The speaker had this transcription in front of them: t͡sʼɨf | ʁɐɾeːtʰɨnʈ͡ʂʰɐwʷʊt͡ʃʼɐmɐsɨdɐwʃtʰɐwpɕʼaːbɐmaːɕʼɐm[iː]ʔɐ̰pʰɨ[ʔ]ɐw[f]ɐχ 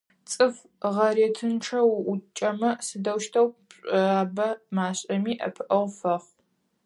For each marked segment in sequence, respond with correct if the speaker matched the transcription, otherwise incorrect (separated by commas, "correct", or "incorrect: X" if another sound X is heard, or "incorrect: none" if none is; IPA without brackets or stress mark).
correct, correct, correct